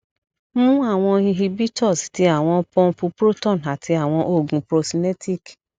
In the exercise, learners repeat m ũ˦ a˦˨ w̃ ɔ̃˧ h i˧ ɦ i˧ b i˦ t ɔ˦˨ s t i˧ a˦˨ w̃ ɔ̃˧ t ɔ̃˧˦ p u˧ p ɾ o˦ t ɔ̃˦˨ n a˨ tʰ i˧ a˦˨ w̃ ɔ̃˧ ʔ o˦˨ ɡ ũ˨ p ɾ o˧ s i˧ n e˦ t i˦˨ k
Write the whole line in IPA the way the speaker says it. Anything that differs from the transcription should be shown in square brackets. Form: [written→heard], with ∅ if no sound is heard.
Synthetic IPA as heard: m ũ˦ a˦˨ w̃ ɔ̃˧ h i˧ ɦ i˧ b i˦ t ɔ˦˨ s t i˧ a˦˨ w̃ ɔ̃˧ [t→p] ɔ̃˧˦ p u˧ p ɾ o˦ t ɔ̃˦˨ n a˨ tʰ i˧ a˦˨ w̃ ɔ̃˧ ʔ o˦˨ ɡ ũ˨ p ɾ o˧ s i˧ n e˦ t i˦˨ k